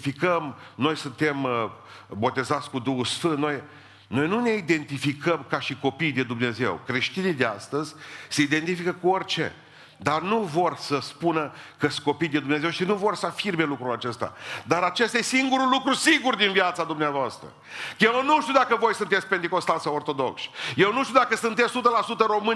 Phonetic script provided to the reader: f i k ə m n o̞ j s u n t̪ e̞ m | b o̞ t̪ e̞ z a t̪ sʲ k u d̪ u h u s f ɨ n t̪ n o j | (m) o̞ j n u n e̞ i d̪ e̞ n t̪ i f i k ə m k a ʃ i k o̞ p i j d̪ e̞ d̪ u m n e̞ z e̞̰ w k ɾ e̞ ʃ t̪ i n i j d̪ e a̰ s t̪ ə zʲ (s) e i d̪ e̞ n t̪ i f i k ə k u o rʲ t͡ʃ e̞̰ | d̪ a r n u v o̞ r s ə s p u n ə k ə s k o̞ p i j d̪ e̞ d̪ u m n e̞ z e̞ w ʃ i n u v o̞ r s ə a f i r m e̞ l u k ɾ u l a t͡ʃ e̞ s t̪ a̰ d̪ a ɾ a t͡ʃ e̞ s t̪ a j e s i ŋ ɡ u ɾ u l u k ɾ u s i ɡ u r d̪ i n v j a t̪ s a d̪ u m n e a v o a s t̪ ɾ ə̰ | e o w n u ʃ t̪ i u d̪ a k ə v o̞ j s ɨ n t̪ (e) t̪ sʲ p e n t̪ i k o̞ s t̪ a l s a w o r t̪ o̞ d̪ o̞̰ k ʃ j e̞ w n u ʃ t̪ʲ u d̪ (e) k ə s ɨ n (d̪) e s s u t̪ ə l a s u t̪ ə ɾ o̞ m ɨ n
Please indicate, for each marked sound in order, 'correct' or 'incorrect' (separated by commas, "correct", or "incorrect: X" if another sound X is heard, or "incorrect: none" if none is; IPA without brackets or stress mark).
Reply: incorrect: n, correct, correct, incorrect: a, incorrect: t̪